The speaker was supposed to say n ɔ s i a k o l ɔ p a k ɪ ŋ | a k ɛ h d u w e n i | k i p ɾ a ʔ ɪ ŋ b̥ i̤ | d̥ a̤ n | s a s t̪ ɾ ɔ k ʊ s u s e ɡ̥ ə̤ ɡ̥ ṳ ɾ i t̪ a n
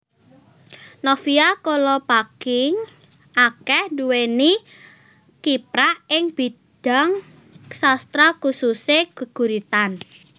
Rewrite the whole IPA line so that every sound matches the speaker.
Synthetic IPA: n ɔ f i a k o l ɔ p a k ɪ ŋ | a k ɛ h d u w e n i | k i p ɾ a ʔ ɪ ŋ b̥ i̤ | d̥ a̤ ŋ | s a s t̪ ɾ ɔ k u s u s e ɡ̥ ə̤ ɡ̥ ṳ ɾ i t̪ a n